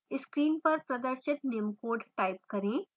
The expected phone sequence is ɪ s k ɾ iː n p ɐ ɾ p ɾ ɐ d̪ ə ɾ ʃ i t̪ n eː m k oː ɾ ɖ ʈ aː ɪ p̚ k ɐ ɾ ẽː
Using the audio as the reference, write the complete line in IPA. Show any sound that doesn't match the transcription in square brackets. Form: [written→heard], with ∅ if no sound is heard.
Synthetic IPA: ɪ s k ɾ iː n p ɐ ɾ p ɾ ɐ d̪ ə ɾ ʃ [i→ɪ] t̪ n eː m k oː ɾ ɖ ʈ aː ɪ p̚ k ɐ ɾ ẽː